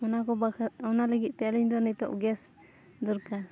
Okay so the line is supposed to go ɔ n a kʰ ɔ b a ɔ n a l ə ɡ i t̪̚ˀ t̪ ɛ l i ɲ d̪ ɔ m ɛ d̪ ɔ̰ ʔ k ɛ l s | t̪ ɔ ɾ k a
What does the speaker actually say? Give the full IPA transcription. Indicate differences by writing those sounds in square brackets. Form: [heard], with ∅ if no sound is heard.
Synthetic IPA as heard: ɔ n a [k] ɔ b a ɔ n a l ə ɡ i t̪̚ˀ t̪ ɛ l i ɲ d̪ ɔ [n] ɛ [t̪] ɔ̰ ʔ [ɡ] ɛ [∅] s | [d̪] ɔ ɾ k a